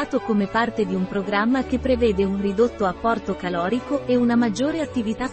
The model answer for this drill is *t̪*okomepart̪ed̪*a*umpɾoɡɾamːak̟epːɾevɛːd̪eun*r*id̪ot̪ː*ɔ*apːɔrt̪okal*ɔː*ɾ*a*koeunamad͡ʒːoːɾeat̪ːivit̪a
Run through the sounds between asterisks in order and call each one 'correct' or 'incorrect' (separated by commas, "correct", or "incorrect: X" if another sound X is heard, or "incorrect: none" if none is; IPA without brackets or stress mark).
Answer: correct, incorrect: i, correct, incorrect: o, correct, incorrect: i